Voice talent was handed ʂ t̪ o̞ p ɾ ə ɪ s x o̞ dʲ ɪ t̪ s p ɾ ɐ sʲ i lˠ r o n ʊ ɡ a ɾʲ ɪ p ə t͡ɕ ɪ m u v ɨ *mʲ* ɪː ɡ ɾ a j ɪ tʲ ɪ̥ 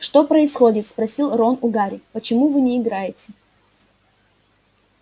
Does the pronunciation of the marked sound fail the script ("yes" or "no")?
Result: yes